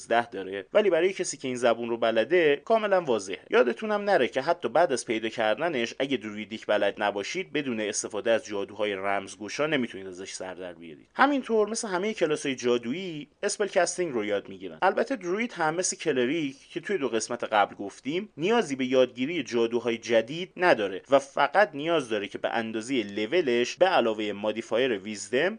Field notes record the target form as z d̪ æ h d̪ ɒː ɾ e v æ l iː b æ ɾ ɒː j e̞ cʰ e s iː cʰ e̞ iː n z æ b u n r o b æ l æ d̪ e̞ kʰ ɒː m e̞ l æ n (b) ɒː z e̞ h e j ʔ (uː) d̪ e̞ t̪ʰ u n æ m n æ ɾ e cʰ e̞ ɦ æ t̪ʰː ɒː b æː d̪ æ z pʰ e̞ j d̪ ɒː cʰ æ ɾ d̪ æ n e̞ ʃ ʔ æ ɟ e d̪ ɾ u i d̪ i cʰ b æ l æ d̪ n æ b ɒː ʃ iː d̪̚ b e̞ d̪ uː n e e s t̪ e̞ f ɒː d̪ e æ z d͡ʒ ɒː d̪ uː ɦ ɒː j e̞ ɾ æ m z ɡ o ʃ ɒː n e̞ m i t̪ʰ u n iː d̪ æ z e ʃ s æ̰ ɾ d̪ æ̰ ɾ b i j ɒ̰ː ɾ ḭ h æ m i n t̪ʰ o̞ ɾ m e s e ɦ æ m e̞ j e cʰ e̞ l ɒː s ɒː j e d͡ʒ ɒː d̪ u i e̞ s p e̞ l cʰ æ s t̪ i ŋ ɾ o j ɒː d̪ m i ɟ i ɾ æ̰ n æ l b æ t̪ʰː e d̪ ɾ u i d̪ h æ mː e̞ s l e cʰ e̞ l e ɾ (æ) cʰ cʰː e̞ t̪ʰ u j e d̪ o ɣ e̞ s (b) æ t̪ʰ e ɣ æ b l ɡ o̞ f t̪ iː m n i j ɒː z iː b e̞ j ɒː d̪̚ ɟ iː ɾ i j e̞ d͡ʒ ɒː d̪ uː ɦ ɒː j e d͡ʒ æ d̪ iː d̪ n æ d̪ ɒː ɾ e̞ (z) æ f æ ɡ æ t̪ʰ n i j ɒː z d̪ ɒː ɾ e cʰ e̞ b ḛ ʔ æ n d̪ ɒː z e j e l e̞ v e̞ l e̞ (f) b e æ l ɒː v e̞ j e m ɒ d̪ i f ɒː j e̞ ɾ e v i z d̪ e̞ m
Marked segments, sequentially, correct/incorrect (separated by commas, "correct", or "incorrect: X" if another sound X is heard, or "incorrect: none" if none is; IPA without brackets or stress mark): incorrect: v, incorrect: ɒː, incorrect: i, incorrect: m, incorrect: v, incorrect: ʃ